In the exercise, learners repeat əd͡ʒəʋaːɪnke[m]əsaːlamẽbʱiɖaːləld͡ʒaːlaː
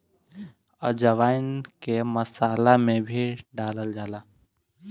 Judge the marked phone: correct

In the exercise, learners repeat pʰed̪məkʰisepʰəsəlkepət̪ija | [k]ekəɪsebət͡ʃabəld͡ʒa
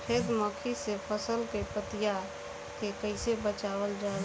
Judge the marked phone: correct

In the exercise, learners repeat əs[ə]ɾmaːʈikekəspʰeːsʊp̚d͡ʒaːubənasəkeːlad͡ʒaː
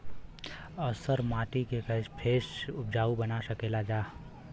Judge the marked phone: correct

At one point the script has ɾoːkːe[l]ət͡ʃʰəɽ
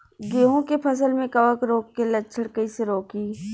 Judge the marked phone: correct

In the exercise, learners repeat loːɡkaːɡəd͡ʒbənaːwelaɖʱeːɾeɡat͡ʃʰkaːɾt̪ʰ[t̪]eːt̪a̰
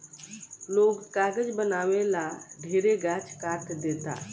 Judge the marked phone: incorrect: d̪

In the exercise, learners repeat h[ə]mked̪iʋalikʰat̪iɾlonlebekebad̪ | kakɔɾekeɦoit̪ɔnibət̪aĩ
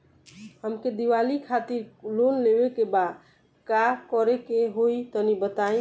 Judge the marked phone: correct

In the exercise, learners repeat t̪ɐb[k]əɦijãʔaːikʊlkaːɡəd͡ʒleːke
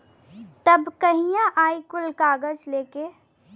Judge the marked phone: correct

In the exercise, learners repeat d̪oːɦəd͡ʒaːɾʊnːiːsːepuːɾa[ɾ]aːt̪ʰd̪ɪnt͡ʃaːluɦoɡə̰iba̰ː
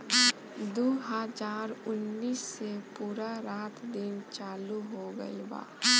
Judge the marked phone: correct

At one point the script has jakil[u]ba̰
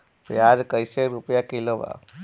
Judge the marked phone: incorrect: o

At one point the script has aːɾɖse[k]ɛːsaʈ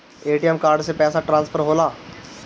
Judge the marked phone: incorrect: p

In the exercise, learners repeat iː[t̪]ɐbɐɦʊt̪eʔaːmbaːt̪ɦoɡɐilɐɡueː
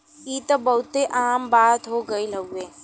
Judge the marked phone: correct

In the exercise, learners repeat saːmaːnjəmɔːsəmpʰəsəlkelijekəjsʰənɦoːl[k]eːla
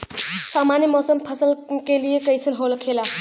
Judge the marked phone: incorrect: kʰ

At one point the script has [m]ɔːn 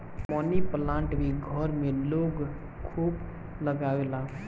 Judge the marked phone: correct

